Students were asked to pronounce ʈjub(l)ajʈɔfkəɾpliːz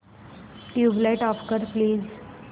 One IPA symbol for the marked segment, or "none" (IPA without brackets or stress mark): l